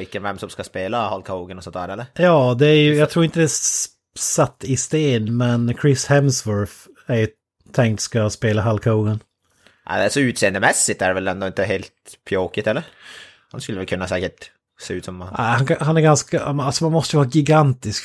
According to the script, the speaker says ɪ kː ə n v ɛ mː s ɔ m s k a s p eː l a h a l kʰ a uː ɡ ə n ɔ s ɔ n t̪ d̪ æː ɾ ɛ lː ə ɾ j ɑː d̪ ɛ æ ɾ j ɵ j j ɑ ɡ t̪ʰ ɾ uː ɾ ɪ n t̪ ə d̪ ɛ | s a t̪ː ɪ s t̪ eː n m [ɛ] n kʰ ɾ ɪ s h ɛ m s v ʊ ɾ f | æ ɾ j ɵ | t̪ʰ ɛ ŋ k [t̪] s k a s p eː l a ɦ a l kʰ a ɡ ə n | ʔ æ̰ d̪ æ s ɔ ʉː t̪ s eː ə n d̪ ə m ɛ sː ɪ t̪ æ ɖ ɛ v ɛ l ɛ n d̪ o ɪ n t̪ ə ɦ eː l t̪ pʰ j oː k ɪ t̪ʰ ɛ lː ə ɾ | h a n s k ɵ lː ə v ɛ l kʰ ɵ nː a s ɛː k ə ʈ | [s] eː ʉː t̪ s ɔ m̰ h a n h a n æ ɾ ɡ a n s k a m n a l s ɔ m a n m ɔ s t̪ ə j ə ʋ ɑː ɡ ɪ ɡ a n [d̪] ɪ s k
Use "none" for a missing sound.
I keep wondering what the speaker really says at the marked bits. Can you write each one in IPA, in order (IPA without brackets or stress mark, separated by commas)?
ɛ, t̪, s, t̪